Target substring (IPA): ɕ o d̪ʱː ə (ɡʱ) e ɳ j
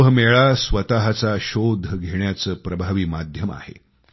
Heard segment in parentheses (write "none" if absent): ɡʱ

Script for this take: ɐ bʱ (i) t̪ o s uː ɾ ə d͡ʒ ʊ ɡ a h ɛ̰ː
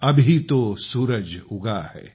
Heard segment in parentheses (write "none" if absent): i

